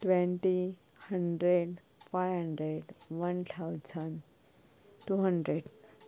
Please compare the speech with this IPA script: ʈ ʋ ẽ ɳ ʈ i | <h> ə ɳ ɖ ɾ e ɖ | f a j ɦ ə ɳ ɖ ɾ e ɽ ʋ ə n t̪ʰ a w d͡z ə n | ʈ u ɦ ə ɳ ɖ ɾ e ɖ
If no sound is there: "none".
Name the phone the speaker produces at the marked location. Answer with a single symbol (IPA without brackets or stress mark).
h